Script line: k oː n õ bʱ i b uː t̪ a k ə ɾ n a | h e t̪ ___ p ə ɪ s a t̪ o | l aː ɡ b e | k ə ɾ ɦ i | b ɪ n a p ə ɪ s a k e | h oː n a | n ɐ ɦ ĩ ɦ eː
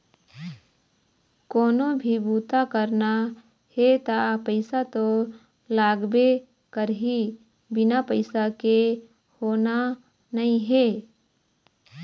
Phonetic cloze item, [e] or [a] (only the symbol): a